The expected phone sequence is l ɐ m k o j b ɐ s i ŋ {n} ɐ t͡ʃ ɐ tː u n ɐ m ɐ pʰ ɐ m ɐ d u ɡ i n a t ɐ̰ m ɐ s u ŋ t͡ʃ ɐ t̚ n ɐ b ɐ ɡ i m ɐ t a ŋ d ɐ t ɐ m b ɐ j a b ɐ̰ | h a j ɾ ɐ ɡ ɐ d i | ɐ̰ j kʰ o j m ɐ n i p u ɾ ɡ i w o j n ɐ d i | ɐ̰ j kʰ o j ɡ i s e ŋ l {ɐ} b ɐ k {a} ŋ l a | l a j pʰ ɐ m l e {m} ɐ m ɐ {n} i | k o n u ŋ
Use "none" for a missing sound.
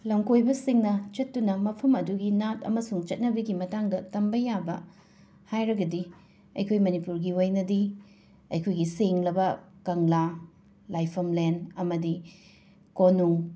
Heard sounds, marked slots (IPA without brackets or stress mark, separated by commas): n, ɐ, ɐ, n, d